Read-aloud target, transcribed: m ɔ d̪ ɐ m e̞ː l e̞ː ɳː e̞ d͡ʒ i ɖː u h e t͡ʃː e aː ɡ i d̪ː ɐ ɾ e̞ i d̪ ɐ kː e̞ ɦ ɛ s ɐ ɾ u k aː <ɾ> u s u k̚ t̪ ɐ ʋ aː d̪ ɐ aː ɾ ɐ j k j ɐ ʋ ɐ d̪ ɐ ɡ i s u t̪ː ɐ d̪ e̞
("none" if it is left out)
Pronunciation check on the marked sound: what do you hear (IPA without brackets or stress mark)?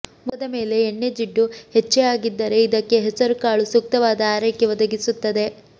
ɭ